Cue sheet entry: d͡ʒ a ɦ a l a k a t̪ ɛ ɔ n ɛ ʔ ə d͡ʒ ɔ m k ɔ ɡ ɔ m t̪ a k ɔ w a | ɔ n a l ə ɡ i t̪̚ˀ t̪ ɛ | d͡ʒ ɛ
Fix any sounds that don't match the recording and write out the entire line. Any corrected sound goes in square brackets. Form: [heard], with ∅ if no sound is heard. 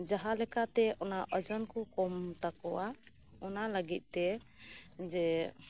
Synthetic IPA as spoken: d͡ʒ a ɦ a l [ɛ] k a t̪ ɛ ɔ n [a] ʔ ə d͡ʒ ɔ [n] k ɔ [k] ɔ m t̪ a k ɔ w a | ɔ n a l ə ɡ i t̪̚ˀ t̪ ɛ | d͡ʒ ɛ